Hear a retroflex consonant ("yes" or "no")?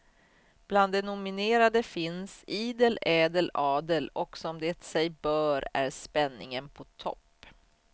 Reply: no